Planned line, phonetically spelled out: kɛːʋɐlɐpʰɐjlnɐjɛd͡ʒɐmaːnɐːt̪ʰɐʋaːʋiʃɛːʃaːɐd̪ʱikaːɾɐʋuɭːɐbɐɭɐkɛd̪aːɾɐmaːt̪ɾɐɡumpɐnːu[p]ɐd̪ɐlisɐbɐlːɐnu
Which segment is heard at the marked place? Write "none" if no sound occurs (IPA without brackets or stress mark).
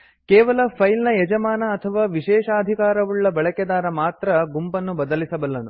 b